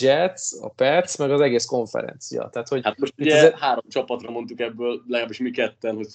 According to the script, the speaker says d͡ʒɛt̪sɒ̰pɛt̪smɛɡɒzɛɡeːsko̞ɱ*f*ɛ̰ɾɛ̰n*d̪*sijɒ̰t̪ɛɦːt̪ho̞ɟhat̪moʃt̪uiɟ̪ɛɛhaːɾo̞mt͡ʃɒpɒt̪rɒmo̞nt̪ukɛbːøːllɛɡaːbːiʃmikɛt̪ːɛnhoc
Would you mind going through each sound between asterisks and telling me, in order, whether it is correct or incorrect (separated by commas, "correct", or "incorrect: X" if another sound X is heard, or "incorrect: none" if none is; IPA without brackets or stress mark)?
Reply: correct, incorrect: t̪